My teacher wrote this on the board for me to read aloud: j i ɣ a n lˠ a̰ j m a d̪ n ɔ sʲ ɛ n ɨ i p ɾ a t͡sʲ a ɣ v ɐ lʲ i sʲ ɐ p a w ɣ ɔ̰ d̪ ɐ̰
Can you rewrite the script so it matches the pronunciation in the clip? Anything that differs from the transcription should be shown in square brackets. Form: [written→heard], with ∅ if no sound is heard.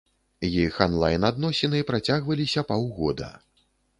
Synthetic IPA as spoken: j i [ɣ→x] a n lˠ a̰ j [m→n] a d̪ n ɔ sʲ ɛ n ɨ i p ɾ a t͡sʲ a ɣ v ɐ lʲ i sʲ ɐ p a w ɣ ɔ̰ d̪ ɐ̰

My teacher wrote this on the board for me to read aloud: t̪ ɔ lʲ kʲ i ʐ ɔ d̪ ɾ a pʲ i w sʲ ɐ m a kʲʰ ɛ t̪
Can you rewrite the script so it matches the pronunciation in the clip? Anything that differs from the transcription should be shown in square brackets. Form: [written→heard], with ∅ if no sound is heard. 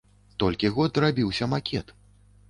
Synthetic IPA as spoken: t̪ ɔ lʲ kʲ i [ʐ→ɣ] ɔ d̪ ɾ a [pʲ→bʲ] i w sʲ ɐ m a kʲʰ ɛ t̪

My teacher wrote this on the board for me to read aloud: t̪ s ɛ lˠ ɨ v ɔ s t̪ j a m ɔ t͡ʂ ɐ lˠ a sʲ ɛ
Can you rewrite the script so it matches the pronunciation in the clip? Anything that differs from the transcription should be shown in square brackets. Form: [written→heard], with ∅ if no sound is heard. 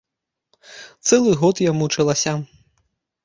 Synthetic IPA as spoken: t̪ s ɛ lˠ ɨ [v→ɣ] ɔ [s→∅] t̪ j a m [ɔ→u] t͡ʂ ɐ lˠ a sʲ [ɛ→a]

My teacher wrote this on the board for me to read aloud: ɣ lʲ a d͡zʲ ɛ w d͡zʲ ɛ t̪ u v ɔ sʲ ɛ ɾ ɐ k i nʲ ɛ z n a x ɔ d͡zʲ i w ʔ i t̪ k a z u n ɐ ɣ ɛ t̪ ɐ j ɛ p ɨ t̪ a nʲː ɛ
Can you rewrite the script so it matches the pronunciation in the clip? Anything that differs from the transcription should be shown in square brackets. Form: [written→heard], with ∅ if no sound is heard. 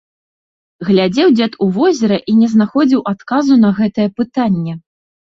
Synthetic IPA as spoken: ɣ lʲ a d͡zʲ ɛ w d͡zʲ ɛ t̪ u v ɔ [sʲ→zʲ] ɛ ɾ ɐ [k→ʔ] i nʲ ɛ z n a x ɔ d͡zʲ i w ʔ [i→a] t̪ k a z u n ɐ ɣ ɛ t̪ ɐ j ɛ p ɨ t̪ a nʲː ɛ

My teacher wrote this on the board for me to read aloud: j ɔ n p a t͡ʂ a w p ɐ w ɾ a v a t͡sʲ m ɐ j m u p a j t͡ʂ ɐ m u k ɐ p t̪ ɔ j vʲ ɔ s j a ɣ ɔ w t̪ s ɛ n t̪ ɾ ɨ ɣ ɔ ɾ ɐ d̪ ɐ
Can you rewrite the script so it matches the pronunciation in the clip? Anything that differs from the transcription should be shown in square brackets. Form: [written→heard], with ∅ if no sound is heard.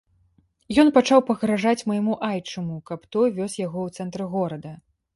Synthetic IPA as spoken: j ɔ n p a t͡ʂ a w p ɐ [w→ɣ] ɾ a [v→ʐ] a t͡sʲ m ɐ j m u [p→ʔ] a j t͡ʂ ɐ m u k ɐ p t̪ ɔ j vʲ ɔ s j a ɣ ɔ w t̪ s ɛ n t̪ ɾ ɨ ɣ ɔ ɾ ɐ d̪ ɐ

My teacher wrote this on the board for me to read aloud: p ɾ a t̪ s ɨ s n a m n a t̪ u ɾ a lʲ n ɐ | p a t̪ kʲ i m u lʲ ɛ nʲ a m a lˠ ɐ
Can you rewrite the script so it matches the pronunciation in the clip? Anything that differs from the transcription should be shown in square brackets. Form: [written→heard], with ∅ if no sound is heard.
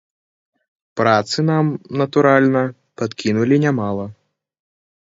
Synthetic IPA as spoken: p ɾ a t̪ s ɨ [s→∅] n a m n [a→ɐ] t̪ u ɾ a lʲ n ɐ | p a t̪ kʲ i [m→n] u lʲ [ɛ→i] nʲ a m a lˠ ɐ

